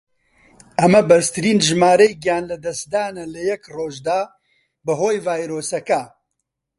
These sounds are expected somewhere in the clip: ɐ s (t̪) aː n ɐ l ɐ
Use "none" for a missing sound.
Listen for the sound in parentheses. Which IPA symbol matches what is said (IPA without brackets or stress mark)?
d̪